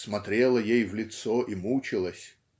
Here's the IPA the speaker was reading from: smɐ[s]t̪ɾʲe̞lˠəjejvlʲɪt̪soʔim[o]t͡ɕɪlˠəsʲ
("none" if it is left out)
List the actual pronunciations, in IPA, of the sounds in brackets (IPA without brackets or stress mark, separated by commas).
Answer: none, u